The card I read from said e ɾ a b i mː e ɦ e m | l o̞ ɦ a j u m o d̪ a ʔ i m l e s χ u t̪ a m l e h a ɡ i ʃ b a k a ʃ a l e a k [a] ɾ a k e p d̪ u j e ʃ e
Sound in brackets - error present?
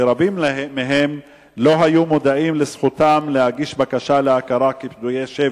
no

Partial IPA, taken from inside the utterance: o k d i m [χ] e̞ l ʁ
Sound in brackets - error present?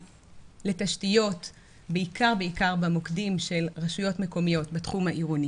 yes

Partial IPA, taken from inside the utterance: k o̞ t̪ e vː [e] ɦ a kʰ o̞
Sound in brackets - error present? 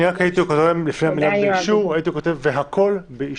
no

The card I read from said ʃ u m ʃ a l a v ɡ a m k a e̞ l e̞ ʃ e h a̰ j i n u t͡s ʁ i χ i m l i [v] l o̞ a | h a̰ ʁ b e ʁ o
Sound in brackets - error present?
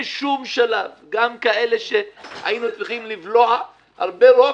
no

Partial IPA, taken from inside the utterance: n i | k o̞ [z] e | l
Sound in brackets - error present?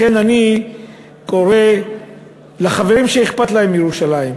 yes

